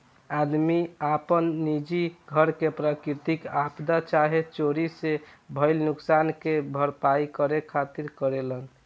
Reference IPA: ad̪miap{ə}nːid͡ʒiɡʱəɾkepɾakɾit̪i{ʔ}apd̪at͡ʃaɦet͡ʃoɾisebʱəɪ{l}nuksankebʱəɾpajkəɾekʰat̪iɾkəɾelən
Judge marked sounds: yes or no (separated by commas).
yes, no, yes